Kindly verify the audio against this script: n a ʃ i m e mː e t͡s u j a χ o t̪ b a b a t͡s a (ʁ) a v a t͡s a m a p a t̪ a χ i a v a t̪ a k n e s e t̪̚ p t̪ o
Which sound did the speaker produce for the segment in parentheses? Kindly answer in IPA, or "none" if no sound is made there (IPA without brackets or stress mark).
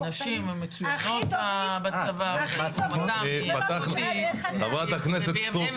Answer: v